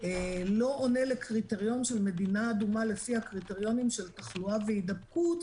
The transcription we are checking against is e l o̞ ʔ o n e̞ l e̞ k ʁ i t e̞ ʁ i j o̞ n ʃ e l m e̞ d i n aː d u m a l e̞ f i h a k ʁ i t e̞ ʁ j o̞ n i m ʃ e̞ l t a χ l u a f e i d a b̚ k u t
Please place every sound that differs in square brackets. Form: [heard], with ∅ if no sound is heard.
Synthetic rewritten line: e l o̞ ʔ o n e̞ l e̞ k ʁ i t e̞ ʁ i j o̞ n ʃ e l m e̞ d i n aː d u m a l e̞ f i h a k ʁ i t e̞ ʁ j o̞ n i m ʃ e̞ l t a χ l u a [v] e i d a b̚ k u t